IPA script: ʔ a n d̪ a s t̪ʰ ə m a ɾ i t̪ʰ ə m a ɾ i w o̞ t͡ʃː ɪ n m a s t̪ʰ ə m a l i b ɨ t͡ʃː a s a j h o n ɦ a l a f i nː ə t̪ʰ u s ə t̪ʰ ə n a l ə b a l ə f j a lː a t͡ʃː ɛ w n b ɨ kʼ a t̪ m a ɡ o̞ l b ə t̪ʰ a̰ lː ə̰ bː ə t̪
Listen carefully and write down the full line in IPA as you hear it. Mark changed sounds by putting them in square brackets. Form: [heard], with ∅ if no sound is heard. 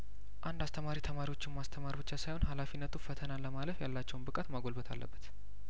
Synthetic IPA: ʔ a n d̪ a s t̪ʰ ə m a ɾ i t̪ʰ ə m a ɾ i w o̞ t͡ʃː ɪ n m a s t̪ʰ ə m a [ɾ] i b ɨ t͡ʃː a s a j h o n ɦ a l a f i nː ə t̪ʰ u [f] ə t̪ʰ ə n a l ə [m] a l ə f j a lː a t͡ʃː ɛ w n b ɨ kʼ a t̪ m a ɡ o̞ l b ə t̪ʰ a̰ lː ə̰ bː ə t̪

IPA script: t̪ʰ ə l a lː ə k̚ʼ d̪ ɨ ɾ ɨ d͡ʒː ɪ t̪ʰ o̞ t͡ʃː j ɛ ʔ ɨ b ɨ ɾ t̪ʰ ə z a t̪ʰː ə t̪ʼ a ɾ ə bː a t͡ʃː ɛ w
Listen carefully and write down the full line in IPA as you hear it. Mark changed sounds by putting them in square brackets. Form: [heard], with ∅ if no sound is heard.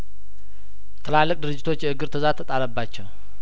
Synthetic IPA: t̪ʰ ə l a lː ə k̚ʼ d̪ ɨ ɾ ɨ d͡ʒː ɪ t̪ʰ o̞ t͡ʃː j ɛ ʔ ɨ [ɡ] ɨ ɾ t̪ʰ ə z a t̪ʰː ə t̪ʼ a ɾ ə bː a t͡ʃː ɛ w

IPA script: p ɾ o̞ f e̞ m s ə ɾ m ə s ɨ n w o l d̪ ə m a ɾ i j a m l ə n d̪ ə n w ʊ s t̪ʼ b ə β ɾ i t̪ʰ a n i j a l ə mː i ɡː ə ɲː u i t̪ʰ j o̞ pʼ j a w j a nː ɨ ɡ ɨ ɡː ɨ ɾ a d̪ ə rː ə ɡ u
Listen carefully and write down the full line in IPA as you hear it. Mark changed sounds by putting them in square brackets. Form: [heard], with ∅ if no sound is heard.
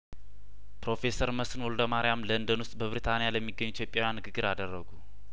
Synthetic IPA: p ɾ o̞ f e̞ [∅] s ə ɾ m ə s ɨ n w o l d̪ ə m a ɾ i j a m l ə n d̪ ə n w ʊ s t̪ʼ b ə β ɾ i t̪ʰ a n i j a l ə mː i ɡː ə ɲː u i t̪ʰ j o̞ pʼ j a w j a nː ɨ ɡ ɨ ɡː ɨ ɾ a d̪ ə rː ə ɡ u

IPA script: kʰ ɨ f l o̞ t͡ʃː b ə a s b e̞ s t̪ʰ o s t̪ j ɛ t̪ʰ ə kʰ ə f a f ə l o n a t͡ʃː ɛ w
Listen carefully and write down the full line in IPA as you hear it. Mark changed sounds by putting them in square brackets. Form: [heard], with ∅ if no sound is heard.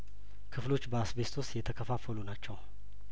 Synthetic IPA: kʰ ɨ f l o̞ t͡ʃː b ə a s b e̞ s t̪ʰ o s t̪ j ɛ t̪ʰ ə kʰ ə f a f ə l [u] n a t͡ʃː ɛ w

